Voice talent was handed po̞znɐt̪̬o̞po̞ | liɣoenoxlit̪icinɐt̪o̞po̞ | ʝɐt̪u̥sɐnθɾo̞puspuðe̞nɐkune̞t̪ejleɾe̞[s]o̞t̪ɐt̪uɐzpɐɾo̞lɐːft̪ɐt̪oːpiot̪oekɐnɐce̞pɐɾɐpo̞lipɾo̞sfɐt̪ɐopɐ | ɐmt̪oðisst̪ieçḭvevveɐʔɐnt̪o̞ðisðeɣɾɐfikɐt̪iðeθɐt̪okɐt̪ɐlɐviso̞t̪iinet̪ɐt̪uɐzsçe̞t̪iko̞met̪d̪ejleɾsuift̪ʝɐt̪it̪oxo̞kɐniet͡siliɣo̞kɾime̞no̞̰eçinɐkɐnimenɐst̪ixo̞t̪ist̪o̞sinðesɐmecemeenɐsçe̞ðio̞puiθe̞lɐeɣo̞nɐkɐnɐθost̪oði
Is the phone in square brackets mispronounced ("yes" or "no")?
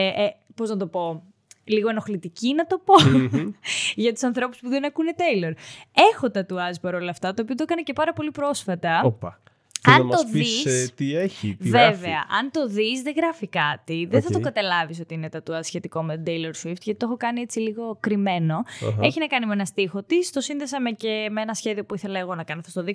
yes